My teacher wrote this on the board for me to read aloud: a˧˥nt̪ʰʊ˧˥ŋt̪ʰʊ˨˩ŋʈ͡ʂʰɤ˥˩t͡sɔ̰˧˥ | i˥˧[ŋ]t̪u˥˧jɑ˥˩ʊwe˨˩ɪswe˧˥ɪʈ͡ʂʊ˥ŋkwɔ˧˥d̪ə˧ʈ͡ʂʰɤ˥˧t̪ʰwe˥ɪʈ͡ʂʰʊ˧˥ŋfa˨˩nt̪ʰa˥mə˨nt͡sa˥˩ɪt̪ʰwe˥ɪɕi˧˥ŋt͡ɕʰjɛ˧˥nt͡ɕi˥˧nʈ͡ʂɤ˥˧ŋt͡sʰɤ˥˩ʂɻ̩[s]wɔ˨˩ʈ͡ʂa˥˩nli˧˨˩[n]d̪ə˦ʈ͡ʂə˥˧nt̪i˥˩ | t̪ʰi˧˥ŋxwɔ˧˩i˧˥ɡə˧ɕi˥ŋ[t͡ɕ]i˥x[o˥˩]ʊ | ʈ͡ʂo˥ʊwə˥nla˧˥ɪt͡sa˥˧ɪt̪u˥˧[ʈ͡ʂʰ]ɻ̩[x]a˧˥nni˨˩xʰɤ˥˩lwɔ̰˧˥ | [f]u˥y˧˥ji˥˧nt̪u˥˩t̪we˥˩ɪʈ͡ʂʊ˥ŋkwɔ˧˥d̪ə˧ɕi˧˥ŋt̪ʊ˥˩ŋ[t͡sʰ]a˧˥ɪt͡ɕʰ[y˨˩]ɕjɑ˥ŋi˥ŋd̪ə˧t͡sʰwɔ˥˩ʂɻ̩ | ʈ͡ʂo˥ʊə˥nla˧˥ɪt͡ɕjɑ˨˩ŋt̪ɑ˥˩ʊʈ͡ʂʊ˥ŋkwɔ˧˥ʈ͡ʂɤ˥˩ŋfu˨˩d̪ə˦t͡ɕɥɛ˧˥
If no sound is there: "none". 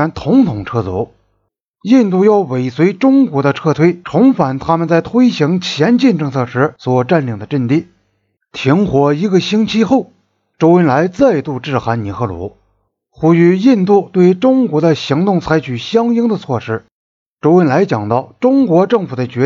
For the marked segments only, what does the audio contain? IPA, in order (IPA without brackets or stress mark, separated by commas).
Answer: n, s, ŋ, t͡ɕʰ, o˥˩, ʈ͡ʂ, x, x, t͡sʰ, y˨˩